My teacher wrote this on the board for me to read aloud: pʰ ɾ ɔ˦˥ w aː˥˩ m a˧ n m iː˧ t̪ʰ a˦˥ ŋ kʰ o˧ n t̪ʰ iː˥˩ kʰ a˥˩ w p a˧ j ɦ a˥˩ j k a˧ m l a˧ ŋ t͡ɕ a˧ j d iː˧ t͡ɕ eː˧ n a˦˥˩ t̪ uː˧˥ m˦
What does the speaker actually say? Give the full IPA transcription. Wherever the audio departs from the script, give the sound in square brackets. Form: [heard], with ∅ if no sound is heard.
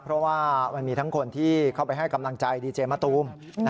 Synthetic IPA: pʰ ɾ ɔ˦˥ w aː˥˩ m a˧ n m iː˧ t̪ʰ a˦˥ ŋ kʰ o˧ n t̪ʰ iː˥˩ kʰ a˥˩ w p a˧ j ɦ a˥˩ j k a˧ m l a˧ ŋ t͡ɕ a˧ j d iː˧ t͡ɕ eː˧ [m] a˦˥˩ t̪ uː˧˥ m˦

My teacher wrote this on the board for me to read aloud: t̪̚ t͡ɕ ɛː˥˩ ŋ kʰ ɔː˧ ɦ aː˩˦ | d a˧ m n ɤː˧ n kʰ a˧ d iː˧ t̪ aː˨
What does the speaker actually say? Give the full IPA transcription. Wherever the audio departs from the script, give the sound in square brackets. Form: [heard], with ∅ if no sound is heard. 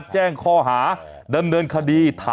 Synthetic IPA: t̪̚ t͡ɕ ɛː˥˩ ŋ kʰ [ɔː˥˩] ɦ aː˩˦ | d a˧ m n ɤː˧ n kʰ a˧ d iː˧ [t̪ʰ] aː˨

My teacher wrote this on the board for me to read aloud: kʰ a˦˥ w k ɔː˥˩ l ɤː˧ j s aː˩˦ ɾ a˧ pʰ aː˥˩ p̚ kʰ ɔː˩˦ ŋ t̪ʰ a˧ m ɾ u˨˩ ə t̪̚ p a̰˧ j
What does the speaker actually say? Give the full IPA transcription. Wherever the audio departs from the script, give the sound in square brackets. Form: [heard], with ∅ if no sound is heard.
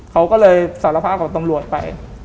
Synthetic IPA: kʰ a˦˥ w k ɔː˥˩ l ɤː˧ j s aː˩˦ [l] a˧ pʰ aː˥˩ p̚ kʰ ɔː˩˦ ŋ [t̪] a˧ m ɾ u˨˩ ə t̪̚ p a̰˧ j

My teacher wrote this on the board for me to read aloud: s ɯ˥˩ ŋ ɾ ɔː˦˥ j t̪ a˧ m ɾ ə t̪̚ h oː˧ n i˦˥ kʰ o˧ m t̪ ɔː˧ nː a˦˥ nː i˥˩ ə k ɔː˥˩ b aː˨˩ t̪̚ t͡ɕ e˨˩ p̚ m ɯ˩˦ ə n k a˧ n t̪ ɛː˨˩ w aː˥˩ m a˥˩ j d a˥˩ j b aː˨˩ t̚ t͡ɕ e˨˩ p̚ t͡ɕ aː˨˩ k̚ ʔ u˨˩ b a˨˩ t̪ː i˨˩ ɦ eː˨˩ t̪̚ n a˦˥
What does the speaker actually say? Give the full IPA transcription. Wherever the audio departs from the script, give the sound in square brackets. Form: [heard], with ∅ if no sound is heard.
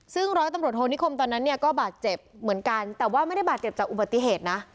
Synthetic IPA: s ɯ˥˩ ŋ ɾ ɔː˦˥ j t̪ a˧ m ɾ ə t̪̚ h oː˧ n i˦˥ kʰ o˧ m t̪ ɔː˧ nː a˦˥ nː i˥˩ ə k ɔː˥˩ b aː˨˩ t̪̚ t͡ɕ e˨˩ p̚ m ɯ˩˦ ə n k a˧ n t̪ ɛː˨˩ w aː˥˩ m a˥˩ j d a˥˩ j b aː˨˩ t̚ t͡ɕ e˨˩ p̚ t͡ɕ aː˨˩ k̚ ʔ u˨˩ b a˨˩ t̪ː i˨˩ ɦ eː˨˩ t̪̚ n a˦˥

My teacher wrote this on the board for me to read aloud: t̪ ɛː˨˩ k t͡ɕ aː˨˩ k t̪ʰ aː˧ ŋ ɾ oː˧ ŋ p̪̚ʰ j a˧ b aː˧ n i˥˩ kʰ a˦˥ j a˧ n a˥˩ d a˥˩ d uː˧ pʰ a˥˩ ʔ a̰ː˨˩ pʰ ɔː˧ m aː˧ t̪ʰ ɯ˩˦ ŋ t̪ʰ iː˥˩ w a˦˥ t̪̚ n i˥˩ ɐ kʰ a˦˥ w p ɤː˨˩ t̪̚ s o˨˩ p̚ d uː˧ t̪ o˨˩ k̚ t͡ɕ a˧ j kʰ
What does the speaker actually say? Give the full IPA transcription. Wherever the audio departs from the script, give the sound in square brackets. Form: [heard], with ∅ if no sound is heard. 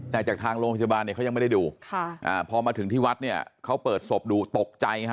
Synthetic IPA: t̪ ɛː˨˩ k t͡ɕ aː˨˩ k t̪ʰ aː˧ ŋ ɾ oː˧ ŋ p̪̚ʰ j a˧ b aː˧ n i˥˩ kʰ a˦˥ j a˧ [m] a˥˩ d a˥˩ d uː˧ [kʰ] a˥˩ ʔ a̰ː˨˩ pʰ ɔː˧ m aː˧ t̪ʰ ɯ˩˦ ŋ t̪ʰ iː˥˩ w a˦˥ t̪̚ n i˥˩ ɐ kʰ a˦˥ w p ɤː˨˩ t̪̚ s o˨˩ p̚ d uː˧ t̪ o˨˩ k̚ t͡ɕ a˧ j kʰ

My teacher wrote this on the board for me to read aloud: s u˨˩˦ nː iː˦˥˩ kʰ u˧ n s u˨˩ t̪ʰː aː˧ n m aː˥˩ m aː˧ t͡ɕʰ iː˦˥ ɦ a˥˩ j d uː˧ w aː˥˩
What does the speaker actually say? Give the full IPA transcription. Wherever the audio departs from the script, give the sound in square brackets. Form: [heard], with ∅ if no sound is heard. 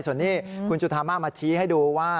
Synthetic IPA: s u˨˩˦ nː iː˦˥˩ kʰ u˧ n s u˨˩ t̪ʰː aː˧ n m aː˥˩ m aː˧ t͡ɕʰ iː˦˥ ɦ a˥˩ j d uː˧ w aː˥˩

